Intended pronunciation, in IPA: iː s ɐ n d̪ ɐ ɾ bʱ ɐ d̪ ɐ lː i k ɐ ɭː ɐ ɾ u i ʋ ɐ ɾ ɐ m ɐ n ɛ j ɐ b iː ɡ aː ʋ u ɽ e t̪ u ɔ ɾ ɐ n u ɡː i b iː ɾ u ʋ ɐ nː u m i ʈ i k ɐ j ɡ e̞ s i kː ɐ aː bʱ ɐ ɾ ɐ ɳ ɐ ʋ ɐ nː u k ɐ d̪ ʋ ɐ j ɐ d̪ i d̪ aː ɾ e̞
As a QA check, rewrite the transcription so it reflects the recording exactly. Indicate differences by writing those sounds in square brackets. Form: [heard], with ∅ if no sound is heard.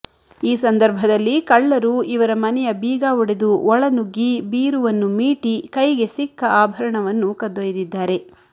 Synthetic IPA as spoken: iː s ɐ n d̪ ɐ ɾ bʱ ɐ d̪ ɐ lː i k ɐ ɭː ɐ ɾ u i ʋ ɐ ɾ ɐ m ɐ n ɛ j ɐ b iː ɡ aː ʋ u ɽ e [d̪] u ɔ [ɭ] ɐ n u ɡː i b iː ɾ u ʋ ɐ nː u m [iː] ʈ i k ɐ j ɡ e̞ s i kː ɐ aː bʱ ɐ ɾ ɐ ɳ ɐ ʋ ɐ nː u k ɐ d̪ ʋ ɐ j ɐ d̪ i [d̪ː] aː ɾ e̞